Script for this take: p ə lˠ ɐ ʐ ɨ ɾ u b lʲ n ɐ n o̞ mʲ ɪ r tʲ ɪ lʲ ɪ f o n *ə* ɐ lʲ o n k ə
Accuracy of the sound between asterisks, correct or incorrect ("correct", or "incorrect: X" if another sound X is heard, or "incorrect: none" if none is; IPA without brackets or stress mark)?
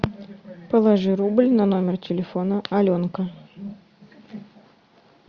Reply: correct